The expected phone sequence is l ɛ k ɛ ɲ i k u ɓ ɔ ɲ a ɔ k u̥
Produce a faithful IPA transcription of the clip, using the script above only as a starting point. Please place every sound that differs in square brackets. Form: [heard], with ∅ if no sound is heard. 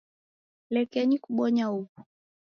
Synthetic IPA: l ɛ k ɛ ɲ i k u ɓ ɔ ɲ a [u] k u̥